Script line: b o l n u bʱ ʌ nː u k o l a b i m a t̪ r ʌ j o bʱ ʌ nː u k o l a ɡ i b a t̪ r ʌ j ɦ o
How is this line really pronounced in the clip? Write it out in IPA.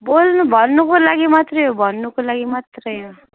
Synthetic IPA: b o l n u bʱ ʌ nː u k o l a ɡ i m a t̪ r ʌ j o bʱ ʌ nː u k o l a ɡ i m a t̪ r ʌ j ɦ o